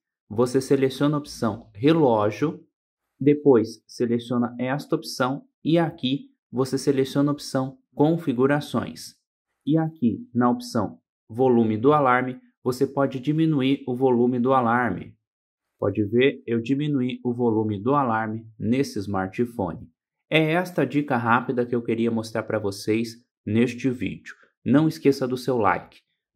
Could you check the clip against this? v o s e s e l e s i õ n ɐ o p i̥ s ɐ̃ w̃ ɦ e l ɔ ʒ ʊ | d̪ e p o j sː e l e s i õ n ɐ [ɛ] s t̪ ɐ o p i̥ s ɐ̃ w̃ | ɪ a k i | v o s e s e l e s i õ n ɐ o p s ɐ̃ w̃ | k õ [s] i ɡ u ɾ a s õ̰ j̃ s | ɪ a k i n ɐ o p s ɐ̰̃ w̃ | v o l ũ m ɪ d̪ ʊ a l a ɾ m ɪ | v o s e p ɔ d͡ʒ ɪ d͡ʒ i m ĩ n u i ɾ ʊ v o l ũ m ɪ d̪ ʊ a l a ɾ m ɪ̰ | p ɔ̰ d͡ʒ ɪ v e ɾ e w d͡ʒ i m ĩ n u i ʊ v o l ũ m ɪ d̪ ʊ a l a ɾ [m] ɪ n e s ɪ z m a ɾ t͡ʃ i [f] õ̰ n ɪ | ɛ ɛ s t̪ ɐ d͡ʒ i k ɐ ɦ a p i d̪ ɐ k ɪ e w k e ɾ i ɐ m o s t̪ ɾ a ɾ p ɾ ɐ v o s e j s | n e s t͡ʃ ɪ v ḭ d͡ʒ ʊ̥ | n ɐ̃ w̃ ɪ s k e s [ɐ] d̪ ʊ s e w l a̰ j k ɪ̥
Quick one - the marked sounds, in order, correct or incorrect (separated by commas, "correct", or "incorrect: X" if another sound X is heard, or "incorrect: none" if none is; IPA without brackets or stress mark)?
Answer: correct, incorrect: f, correct, correct, correct